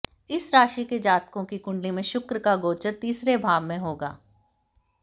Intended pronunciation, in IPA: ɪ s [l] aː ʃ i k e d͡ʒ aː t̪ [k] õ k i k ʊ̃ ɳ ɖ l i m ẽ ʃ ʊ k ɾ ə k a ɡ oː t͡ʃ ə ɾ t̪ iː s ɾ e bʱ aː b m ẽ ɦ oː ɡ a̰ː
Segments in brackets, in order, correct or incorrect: incorrect: ɾ, correct

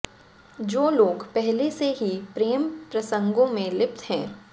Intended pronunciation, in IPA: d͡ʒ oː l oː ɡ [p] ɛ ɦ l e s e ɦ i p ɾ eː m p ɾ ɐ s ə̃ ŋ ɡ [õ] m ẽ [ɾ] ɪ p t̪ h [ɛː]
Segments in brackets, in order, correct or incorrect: correct, correct, incorrect: l, incorrect: ɛ̃ː

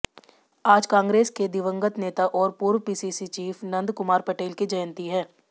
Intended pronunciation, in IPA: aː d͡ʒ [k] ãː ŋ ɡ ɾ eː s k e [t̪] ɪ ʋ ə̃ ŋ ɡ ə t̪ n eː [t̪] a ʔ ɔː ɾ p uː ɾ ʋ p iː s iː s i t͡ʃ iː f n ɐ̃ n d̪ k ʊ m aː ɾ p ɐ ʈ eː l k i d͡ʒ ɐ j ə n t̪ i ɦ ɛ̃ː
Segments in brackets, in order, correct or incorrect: correct, incorrect: d̪, correct

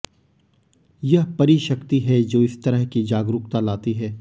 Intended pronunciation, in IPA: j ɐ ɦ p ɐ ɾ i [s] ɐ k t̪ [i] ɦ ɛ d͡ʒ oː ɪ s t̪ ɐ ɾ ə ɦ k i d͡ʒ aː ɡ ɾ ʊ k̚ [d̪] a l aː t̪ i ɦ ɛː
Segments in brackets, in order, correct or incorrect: incorrect: ʃ, correct, incorrect: t̪

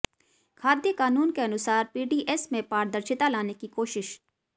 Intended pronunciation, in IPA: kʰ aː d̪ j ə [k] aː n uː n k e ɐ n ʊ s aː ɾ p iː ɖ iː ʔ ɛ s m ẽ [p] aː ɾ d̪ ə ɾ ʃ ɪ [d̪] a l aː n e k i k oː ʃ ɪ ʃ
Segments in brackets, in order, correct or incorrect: correct, correct, incorrect: t̪

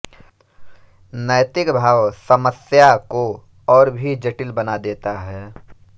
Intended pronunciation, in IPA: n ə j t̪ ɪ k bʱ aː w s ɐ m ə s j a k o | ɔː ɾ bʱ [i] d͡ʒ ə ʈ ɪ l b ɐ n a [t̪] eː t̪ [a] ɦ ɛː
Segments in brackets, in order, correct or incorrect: correct, incorrect: d̪, correct

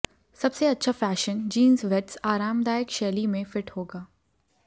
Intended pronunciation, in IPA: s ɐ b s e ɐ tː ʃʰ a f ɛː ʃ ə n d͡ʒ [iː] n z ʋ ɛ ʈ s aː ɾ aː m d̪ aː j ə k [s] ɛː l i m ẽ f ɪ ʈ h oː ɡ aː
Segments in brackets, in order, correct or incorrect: correct, incorrect: ʃ

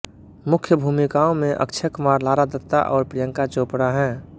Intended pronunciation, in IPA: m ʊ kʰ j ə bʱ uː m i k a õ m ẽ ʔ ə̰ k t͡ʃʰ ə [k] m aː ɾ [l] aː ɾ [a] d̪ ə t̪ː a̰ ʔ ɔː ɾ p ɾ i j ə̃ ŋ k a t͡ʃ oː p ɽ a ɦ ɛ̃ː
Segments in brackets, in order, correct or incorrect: correct, correct, correct

